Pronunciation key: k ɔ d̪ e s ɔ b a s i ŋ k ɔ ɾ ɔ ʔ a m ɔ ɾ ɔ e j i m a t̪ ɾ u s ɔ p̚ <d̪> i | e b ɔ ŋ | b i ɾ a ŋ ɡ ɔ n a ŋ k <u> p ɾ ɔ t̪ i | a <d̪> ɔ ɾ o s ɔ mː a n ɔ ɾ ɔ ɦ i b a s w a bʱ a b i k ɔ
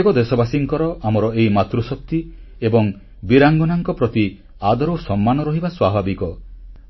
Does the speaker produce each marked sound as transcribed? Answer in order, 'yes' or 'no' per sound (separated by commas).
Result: no, no, yes